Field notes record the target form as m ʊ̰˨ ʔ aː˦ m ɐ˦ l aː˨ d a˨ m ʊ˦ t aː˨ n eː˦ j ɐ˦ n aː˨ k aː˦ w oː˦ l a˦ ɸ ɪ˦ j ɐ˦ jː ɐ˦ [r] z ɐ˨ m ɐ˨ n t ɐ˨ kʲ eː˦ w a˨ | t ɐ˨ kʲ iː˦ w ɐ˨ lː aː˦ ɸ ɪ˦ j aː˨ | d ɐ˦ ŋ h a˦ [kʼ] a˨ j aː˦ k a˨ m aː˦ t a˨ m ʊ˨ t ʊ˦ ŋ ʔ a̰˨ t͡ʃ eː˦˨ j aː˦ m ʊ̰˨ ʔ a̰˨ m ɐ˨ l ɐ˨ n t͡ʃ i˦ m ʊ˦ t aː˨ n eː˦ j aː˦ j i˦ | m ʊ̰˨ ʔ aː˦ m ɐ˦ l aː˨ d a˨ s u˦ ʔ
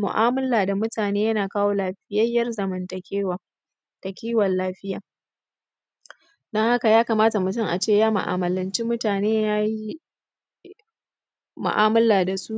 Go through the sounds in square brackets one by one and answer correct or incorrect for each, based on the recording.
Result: correct, incorrect: k

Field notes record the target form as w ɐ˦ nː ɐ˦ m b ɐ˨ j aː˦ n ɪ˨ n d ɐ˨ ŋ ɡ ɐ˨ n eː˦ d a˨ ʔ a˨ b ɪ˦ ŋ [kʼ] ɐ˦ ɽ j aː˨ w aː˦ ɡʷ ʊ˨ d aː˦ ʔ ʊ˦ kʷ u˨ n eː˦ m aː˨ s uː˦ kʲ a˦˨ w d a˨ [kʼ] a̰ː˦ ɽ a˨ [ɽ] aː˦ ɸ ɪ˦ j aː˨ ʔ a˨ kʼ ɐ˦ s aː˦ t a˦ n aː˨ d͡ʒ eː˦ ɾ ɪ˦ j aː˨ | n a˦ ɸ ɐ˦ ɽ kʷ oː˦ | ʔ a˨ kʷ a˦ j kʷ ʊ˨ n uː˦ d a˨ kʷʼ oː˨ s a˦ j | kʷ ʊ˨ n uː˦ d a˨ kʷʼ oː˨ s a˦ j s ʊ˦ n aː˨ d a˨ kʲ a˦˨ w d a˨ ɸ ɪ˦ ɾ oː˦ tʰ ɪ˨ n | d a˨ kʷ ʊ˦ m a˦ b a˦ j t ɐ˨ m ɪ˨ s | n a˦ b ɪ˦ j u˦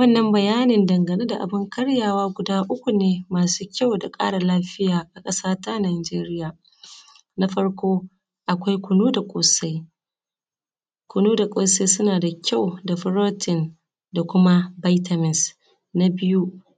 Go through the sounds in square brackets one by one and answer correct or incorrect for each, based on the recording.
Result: incorrect: k, correct, incorrect: l

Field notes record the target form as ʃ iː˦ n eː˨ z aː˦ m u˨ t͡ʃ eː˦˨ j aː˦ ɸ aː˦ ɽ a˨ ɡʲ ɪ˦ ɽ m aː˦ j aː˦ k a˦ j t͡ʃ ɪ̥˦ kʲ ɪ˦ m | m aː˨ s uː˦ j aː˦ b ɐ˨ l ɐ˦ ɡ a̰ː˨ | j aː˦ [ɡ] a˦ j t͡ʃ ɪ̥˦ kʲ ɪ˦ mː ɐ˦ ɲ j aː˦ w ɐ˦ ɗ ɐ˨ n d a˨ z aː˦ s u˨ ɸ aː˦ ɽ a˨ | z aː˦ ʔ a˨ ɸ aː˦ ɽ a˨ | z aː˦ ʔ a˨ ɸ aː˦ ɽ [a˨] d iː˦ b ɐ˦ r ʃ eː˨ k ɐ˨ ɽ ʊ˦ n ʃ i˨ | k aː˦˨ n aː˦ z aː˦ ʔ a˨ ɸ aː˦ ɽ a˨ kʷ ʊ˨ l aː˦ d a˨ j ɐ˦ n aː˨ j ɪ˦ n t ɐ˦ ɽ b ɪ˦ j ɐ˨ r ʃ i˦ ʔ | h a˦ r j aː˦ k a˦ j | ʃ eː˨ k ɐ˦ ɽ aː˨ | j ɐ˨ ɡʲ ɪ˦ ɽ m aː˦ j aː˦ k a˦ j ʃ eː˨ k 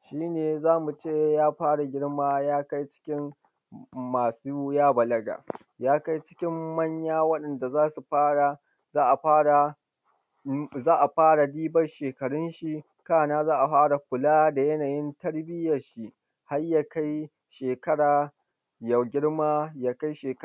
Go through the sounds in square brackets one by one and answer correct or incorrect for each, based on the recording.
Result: incorrect: k, correct

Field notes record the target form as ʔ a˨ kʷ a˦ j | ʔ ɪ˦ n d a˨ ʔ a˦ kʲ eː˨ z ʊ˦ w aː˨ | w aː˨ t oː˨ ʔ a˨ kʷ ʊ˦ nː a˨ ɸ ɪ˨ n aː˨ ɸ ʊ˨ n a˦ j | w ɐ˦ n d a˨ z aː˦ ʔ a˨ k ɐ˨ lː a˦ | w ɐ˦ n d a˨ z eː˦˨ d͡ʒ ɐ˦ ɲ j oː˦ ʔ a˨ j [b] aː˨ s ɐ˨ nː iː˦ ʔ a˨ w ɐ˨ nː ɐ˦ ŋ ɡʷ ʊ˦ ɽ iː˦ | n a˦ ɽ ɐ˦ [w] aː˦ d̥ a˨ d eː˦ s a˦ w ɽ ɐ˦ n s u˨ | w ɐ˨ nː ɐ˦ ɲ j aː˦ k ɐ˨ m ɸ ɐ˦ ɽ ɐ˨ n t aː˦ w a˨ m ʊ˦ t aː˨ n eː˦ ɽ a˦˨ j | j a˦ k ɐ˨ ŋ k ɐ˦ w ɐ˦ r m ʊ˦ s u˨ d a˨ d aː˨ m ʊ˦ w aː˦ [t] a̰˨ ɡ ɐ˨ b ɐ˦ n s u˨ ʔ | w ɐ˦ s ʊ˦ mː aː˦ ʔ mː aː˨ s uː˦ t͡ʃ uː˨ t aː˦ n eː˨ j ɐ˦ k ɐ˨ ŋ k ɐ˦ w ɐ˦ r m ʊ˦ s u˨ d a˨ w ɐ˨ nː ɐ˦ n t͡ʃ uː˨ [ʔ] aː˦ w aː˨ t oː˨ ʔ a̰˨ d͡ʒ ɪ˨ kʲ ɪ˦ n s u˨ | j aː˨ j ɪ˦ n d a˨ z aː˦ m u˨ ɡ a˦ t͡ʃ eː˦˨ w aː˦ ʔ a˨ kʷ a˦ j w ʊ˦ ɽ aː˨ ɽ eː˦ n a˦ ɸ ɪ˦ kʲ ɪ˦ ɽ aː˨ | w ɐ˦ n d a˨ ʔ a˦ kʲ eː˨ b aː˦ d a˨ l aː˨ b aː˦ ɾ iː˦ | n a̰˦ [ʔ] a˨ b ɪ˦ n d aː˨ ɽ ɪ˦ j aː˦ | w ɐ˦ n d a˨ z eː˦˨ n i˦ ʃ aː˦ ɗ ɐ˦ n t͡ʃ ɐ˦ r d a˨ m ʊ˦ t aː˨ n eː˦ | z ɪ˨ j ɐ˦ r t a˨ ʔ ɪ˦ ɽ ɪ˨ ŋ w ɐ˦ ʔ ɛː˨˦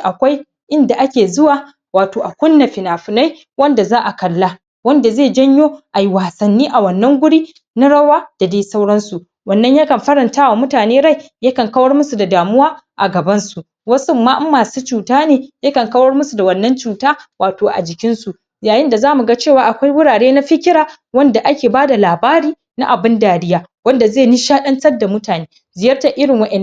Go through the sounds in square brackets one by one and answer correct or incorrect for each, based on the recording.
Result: incorrect: w, correct, incorrect: ʔ, incorrect: t, correct

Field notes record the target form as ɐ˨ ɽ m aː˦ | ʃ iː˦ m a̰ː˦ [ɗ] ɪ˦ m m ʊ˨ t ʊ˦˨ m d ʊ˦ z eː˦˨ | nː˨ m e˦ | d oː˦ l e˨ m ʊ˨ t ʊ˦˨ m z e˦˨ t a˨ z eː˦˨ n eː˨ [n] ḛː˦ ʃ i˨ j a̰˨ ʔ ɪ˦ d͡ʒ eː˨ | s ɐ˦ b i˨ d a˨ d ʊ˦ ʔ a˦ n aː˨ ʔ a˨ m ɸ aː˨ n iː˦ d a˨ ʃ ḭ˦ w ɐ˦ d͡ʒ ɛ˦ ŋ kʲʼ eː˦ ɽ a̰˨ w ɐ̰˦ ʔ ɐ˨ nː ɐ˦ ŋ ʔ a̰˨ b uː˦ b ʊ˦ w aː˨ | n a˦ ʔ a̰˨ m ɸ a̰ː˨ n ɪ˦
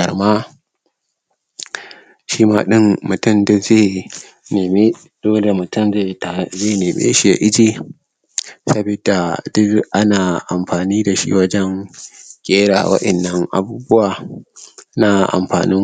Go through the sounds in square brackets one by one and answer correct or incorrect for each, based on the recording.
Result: correct, incorrect: m

